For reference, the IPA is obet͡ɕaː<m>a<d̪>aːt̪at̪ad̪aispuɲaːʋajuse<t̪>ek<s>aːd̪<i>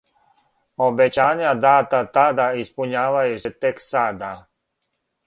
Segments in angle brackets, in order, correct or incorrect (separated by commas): incorrect, correct, correct, correct, incorrect